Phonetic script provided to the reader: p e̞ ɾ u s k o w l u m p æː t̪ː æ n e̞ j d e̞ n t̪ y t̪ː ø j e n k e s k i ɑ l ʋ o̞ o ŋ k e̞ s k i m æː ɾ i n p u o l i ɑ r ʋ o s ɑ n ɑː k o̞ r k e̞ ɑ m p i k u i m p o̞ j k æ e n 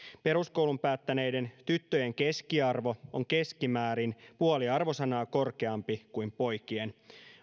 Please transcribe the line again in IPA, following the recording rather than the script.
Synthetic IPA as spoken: p e̞ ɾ u s k o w l u m p æː t̪ː æ n e̞ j d e̞ n t̪ y t̪ː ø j e ŋ k e s k i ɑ r ʋ o̞ o ŋ k e̞ s k i m æː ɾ i n p u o l i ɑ r ʋ o s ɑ n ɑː k o̞ r k e̞ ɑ m p i k u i m p o̞ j k i e n